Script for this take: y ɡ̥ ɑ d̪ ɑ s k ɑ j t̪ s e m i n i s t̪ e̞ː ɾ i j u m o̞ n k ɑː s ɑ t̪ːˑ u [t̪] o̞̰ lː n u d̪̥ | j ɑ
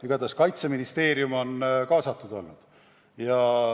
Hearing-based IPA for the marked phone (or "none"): d̪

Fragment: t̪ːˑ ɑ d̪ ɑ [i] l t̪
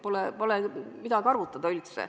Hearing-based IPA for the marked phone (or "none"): y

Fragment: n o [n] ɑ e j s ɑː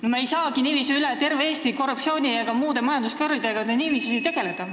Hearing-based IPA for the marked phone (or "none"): m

